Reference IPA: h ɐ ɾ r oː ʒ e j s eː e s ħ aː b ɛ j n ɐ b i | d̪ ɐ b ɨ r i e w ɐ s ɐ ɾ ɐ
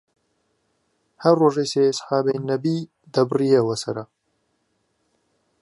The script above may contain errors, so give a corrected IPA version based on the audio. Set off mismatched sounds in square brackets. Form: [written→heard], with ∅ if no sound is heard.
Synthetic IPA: h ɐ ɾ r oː ʒ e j s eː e s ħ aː b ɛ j n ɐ b i | d̪ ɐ b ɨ r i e w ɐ s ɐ ɾ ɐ